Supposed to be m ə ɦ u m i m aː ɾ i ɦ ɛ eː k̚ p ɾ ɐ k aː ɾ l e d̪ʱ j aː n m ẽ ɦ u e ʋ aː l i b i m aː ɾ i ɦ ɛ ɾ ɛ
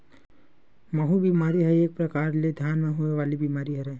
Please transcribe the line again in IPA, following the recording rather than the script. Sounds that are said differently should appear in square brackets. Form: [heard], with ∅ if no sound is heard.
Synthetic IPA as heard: m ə ɦ u [b] i m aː ɾ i ɦ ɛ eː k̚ p ɾ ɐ k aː ɾ l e d̪ʱ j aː n m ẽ ɦ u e ʋ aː l i b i m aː ɾ i ɦ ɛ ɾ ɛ